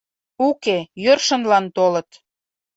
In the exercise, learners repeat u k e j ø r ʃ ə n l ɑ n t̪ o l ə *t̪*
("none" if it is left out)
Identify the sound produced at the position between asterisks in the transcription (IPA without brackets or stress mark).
t̪